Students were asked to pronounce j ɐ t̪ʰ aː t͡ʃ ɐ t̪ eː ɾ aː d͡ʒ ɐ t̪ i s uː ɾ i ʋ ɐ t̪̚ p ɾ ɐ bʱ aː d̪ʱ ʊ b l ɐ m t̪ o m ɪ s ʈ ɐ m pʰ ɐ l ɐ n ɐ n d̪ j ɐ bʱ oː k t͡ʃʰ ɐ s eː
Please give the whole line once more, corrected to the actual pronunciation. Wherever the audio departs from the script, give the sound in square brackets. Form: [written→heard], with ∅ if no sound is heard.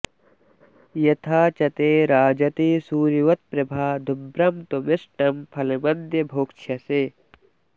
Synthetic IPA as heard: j ɐ t̪ʰ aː t͡ʃ ɐ t̪ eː ɾ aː d͡ʒ ɐ t̪ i s uː ɾ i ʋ ɐ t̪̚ p ɾ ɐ bʱ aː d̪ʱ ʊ b [l→ɾ] ɐ m t̪ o m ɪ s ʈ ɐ m pʰ ɐ l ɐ [n→m] ɐ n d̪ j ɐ bʱ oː k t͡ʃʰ ɐ s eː